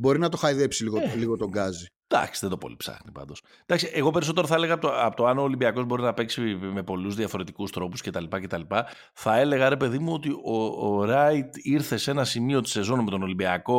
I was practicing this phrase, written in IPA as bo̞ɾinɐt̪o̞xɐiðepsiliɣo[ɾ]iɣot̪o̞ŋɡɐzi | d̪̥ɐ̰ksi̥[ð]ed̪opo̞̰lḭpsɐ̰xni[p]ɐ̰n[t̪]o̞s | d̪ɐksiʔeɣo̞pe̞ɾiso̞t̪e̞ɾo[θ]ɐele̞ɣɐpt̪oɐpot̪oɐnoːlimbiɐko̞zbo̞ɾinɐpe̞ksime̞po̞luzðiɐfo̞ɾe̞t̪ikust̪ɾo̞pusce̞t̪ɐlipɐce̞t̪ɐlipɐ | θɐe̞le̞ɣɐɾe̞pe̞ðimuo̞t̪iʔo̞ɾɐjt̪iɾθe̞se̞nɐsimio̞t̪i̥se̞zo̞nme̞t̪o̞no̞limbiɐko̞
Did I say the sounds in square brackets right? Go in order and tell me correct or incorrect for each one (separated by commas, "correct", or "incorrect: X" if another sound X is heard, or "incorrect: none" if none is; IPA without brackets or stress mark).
incorrect: l, correct, correct, incorrect: d̪, correct